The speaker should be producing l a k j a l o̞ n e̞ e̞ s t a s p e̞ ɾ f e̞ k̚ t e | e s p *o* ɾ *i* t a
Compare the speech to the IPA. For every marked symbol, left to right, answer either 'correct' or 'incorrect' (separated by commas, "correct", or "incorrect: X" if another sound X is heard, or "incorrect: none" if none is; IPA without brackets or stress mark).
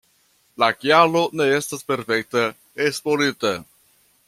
correct, correct